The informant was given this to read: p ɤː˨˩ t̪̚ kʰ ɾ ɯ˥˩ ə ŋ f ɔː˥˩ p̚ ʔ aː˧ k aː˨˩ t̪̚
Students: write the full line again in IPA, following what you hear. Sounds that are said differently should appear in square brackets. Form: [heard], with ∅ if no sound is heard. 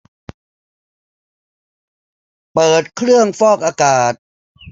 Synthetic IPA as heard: p ɤː˨˩ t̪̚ kʰ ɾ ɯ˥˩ ə ŋ f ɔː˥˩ [k̚] ʔ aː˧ k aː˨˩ t̪̚